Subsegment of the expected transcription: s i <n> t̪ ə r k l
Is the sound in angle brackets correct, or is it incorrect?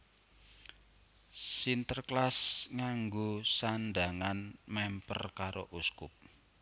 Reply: correct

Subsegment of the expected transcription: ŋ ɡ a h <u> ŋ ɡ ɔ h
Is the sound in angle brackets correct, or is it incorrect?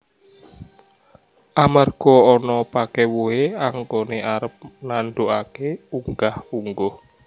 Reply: correct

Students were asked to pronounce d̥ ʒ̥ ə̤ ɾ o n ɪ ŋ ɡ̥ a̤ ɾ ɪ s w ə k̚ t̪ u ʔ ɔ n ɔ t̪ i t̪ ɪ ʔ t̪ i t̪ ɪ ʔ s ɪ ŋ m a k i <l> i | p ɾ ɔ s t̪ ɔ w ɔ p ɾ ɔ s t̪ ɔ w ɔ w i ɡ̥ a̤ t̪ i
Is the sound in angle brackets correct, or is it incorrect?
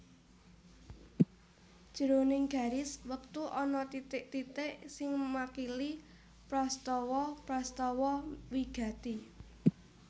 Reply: correct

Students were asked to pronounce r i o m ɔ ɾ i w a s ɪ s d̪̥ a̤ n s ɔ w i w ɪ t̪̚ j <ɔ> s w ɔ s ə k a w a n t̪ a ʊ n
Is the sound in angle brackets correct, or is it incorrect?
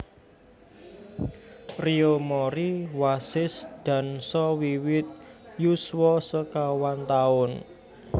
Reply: incorrect: u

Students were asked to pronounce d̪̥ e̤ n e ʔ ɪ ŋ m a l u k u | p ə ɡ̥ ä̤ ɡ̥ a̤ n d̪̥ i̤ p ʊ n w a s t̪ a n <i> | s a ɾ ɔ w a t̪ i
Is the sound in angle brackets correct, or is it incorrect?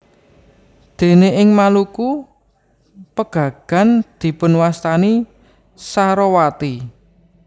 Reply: correct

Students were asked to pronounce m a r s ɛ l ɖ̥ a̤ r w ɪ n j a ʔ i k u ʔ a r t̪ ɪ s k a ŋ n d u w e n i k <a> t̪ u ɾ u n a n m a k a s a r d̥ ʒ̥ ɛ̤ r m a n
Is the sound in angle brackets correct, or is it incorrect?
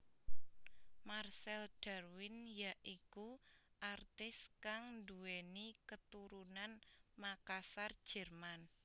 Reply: incorrect: ə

